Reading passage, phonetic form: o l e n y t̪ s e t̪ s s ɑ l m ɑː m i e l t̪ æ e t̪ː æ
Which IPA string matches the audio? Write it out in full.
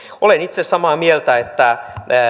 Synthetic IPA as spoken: o l e n i t̪ s e s s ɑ m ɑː m i e l t̪ æ e t̪ː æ